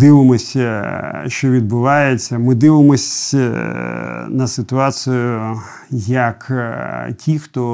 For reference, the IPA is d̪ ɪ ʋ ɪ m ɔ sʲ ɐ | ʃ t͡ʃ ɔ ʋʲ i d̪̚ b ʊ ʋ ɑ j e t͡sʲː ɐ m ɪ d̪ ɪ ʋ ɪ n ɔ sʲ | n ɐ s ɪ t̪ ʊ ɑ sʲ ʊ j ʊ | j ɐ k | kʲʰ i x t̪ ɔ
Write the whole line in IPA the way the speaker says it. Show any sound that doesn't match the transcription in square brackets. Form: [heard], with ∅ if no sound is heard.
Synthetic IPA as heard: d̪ ɪ ʋ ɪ m ɔ sʲ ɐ | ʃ t͡ʃ ɔ ʋʲ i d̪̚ b ʊ ʋ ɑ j e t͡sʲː ɐ m ɪ d̪ ɪ ʋ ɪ [m] ɔ sʲ | n ɐ s ɪ t̪ ʊ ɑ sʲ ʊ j ʊ | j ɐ k | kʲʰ i x t̪ ɔ